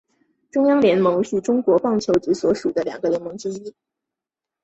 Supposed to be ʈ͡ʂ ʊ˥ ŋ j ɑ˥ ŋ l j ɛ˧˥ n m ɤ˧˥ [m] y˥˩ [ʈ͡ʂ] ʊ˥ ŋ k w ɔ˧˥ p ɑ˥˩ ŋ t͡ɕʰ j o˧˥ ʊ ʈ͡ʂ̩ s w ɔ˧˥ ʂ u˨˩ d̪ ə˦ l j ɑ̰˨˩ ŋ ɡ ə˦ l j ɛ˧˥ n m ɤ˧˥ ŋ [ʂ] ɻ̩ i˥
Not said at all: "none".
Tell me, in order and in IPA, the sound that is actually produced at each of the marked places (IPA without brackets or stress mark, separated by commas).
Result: ŋ, ʈ͡ʂ, ʈ͡ʂ